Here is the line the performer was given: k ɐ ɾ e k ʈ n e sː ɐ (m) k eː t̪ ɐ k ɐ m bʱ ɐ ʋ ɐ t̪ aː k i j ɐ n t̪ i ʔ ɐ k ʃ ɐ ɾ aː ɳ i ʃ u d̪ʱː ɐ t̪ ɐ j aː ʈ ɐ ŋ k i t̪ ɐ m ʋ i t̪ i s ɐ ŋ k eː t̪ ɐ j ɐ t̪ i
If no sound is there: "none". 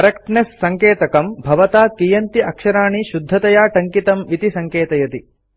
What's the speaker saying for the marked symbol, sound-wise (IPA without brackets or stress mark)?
ŋ